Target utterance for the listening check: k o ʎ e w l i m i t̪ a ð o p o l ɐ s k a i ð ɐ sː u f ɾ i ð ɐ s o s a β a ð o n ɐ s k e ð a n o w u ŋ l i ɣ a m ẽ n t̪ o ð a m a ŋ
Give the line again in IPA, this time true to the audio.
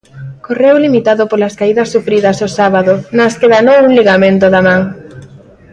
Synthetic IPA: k o r e w l i m i t̪ a ð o p o l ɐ s k a i ð ɐ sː u f ɾ i ð ɐ s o s a β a ð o n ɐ s k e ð a n o w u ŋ l i ɣ a m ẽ n t̪ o ð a m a ŋ